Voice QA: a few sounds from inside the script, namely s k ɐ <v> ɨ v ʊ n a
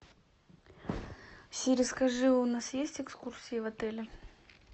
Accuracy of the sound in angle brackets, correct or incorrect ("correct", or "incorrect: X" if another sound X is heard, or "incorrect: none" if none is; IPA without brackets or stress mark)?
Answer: incorrect: ʐ